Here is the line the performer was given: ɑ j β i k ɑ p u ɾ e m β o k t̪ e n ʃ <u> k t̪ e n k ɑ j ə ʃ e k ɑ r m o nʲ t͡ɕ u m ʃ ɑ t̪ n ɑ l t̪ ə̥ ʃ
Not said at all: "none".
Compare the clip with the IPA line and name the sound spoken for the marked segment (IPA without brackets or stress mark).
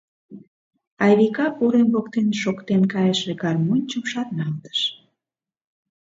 o